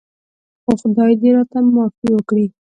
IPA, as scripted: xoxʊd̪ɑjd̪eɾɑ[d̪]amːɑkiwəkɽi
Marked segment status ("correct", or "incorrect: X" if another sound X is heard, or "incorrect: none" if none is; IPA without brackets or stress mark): incorrect: t̪